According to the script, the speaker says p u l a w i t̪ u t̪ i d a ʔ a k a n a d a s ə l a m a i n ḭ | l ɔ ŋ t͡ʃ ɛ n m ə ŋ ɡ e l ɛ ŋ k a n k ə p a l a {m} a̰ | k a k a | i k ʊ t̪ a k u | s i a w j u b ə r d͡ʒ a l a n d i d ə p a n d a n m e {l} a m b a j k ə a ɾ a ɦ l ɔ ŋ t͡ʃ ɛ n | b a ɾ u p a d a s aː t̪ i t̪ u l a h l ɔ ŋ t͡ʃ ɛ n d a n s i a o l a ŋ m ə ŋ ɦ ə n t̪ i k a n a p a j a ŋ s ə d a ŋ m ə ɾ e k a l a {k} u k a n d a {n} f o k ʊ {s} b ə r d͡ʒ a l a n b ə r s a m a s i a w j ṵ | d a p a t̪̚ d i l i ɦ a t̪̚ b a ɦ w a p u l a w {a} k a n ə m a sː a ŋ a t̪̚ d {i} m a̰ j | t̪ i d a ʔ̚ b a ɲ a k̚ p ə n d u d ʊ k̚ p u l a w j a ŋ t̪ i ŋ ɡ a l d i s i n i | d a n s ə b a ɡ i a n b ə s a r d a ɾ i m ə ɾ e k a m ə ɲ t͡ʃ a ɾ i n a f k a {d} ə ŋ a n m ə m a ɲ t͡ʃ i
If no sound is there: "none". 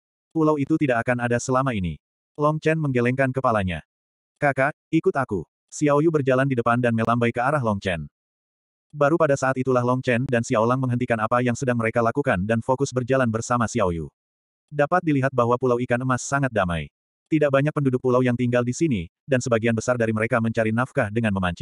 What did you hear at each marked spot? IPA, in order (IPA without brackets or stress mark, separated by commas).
ɲ, l, k, n, s, i, a, d